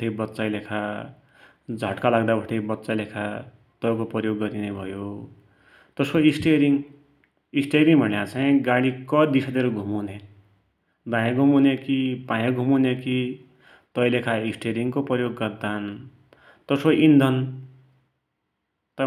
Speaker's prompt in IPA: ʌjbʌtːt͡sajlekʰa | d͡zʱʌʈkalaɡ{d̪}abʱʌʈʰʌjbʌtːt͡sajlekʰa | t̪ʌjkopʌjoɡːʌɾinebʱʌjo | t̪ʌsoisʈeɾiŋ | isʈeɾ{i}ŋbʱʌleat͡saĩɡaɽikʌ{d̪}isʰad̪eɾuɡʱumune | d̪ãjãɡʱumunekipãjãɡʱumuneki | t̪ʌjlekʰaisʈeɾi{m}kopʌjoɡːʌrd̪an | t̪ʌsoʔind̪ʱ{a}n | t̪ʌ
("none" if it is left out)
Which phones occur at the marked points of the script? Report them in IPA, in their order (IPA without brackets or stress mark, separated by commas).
d̪, i, d̪, ŋ, ʌ